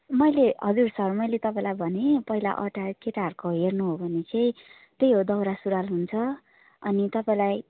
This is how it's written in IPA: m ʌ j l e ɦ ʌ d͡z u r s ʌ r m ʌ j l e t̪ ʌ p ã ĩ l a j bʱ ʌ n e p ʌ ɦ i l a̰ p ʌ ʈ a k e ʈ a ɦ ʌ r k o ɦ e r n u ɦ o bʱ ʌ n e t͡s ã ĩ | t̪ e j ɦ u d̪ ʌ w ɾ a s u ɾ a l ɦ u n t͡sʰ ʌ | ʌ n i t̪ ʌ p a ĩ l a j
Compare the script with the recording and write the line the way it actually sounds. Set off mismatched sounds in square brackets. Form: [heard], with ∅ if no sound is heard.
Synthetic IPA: m ʌ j l e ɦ ʌ d͡z u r s ʌ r m ʌ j l e t̪ ʌ p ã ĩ l a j bʱ ʌ n e p ʌ ɦ i l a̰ [ʔ] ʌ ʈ a k e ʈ a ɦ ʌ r k o ɦ e r n u ɦ o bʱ ʌ n e t͡s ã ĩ | t̪ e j ɦ [o] d̪ ʌ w ɾ a s u ɾ a l ɦ u n t͡sʰ ʌ | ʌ n i t̪ ʌ p a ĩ l a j